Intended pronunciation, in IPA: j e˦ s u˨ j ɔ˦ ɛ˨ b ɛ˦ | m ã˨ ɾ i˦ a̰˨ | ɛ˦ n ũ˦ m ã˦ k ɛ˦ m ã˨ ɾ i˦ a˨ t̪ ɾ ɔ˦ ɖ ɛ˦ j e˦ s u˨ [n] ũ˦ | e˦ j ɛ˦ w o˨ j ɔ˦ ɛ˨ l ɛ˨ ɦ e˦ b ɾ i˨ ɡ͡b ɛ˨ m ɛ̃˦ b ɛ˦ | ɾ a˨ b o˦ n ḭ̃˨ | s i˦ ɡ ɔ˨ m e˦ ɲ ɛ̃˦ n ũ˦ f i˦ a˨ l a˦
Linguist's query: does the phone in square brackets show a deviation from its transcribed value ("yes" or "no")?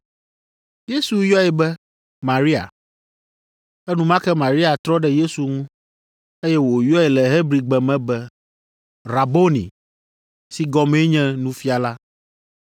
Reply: yes